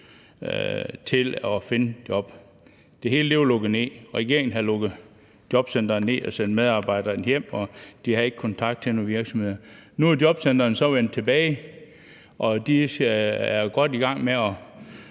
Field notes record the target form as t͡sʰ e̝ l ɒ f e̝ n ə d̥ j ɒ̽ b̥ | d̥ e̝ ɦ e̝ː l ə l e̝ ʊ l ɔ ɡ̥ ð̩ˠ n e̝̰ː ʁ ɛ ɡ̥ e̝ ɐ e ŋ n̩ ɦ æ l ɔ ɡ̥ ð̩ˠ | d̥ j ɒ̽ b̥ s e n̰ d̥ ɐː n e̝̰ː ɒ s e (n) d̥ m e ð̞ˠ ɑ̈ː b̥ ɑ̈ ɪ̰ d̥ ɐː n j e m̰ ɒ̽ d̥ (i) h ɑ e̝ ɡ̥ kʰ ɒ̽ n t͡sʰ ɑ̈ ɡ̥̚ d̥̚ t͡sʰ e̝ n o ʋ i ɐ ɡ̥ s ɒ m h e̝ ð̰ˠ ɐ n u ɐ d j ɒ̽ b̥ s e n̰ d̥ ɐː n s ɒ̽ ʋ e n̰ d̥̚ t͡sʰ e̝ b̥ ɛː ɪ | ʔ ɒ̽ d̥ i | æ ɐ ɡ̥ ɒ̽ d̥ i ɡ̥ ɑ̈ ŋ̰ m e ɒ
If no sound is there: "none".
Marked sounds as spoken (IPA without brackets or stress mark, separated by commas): n, i